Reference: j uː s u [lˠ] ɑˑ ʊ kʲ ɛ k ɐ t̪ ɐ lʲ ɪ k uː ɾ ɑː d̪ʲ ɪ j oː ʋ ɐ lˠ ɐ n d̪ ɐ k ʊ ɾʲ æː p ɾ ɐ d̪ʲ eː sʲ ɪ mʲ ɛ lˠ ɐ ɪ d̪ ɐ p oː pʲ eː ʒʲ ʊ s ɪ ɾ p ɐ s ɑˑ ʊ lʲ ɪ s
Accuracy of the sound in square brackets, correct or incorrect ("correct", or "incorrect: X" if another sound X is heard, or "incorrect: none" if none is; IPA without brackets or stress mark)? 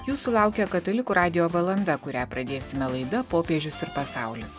correct